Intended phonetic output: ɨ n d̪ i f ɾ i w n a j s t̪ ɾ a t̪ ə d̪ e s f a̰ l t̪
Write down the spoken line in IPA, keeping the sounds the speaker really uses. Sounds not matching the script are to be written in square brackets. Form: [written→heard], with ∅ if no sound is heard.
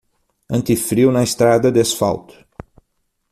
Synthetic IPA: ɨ n [d̪→t̪] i f ɾ i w n a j s t̪ ɾ a [t̪→d̪] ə d̪ e s f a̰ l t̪